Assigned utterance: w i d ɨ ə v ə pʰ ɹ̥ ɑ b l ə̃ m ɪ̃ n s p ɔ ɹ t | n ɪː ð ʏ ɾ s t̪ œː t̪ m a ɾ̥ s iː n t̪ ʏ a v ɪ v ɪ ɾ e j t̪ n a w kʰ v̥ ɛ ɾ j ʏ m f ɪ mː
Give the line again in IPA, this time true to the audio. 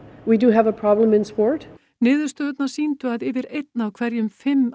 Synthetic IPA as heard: w i d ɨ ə v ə pʰ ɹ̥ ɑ b l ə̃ m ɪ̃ n s p ɔ ɹ t | n ɪː ð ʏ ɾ s t̪ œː t̪ n a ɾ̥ s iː n t̪ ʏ a ð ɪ v ɪ ɾ e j t̪ n a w kʰ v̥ ɛ ɾ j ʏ m f ɪ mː